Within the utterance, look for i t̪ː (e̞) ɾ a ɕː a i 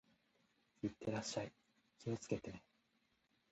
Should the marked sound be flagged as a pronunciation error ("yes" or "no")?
no